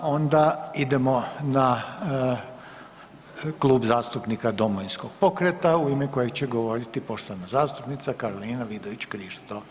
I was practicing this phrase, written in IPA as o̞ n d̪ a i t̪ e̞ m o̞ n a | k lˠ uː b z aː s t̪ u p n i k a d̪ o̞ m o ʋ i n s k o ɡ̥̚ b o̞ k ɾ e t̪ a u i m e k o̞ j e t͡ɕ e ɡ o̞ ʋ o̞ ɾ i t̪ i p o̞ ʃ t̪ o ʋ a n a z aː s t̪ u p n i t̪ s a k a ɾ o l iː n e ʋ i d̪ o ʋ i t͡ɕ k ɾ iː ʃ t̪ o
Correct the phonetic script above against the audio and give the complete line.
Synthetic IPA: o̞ n d̪ a i d̪ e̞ m o̞ n a | k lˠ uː b z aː s t̪ u p n i k a d̪ o̞ m o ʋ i n s k o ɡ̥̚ p o̞ k ɾ e t̪ a u i m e k o̞ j e t͡ɕ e ɡ o̞ ʋ o̞ ɾ i t̪ i p o̞ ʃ t̪ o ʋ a n a z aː s t̪ u p n i t̪ s a k a ɾ o l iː n a ʋ i d̪ o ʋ i t͡ɕ k ɾ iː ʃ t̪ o